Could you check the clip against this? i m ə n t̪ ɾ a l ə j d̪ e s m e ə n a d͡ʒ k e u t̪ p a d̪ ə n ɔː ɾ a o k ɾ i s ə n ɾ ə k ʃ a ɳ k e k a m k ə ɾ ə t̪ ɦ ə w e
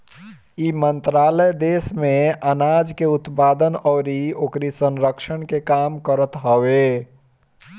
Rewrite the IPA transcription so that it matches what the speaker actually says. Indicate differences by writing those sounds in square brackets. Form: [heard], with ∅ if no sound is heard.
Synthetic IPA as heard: i m ə n t̪ ɾ a l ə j d̪ e s m e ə n a d͡ʒ k e u t̪ p a d̪ ə n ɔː ɾ [i] o k ɾ i s ə n ɾ ə k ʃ [ə] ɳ k e k a m k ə ɾ ə t̪ ɦ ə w e